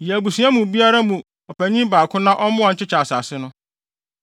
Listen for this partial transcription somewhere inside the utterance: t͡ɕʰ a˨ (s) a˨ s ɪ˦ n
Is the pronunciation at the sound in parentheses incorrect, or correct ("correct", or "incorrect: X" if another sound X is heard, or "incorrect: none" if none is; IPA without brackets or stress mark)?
correct